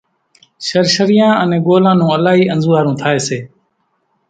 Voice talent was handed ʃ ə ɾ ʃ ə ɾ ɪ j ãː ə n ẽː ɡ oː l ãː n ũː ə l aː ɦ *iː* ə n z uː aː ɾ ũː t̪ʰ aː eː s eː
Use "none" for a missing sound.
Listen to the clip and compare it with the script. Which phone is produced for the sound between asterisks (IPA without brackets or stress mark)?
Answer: iː